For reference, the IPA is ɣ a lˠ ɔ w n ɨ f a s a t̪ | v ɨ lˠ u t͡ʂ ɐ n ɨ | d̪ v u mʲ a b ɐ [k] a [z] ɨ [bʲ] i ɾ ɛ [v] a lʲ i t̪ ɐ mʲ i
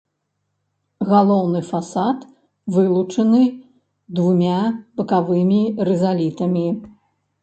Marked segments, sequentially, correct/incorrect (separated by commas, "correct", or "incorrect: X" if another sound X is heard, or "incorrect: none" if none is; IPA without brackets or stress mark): correct, incorrect: v, incorrect: mʲ, incorrect: z